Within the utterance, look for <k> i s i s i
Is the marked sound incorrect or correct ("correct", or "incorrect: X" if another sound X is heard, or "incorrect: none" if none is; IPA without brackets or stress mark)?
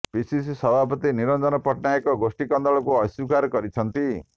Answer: incorrect: p